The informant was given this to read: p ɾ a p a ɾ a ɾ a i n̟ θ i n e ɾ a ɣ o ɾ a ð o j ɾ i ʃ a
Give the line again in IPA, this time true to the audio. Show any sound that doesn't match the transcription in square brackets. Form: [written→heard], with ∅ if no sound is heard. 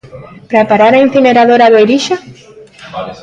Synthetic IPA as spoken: p ɾ a p a ɾ a ɾ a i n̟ θ i n e ɾ a [ɣ→ð] o ɾ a ð o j ɾ i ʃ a